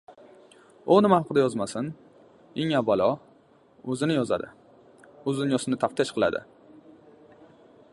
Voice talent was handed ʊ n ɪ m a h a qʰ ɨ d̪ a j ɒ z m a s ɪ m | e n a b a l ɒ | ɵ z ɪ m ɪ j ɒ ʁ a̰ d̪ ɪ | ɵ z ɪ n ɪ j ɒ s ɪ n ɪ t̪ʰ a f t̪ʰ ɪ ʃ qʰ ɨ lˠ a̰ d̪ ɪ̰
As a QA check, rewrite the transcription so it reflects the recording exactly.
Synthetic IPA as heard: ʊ n ɪ m a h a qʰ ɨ d̪ a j ɒ z m a s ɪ n | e ŋ a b a l ɒ | ɵ z ɪ n ɪ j ɒ z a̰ d̪ ɪ | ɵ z ɪ n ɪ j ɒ s ɪ n ɪ t̪ʰ a f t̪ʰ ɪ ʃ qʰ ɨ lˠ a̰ d̪ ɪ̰